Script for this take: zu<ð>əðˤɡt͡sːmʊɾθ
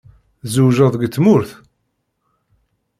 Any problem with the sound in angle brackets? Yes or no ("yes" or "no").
yes